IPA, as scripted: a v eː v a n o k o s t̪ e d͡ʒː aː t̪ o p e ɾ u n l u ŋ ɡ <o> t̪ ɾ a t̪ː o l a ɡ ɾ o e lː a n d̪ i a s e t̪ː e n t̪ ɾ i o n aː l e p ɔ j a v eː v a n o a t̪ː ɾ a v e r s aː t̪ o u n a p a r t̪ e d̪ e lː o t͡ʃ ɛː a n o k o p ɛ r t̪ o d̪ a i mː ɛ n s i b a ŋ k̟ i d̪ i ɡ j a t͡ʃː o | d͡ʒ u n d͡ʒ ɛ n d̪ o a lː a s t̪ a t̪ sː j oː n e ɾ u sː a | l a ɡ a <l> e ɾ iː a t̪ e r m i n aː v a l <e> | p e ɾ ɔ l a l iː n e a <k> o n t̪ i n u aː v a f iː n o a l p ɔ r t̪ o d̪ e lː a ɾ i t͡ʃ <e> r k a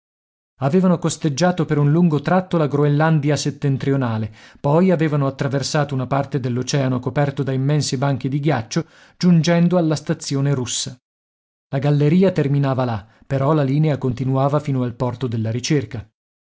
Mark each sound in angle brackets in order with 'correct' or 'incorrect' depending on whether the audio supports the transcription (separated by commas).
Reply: correct, incorrect, incorrect, correct, correct